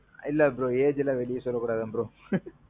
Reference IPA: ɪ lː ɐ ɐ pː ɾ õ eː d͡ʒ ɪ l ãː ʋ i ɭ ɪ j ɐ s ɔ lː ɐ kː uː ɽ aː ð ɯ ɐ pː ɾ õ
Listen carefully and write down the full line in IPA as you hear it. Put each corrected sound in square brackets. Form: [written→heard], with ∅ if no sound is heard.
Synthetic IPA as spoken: ɪ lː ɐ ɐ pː ɾ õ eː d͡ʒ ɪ l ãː ʋ [i→ɛ] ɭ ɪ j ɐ s ɔ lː ɐ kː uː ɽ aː ð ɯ ɐ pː ɾ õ

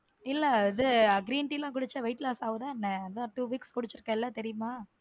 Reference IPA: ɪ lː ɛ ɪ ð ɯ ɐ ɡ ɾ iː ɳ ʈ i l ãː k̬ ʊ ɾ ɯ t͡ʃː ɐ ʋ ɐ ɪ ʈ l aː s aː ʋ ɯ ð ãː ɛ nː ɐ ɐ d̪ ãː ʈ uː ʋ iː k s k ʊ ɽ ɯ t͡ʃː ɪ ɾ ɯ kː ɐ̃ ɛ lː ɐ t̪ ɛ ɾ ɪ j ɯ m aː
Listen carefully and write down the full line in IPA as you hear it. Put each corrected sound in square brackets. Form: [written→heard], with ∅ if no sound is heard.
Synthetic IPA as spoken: ɪ lː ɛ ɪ ð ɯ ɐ ɡ ɾ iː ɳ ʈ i l ãː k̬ ʊ [ɾ→ɽ] ɯ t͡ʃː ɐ ʋ ɐ ɪ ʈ l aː s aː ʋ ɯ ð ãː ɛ nː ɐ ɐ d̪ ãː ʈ uː ʋ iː k s k ʊ ɽ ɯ t͡ʃː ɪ ɾ ɯ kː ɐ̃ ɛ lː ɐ t̪ ɛ ɾ ɪ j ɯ m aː

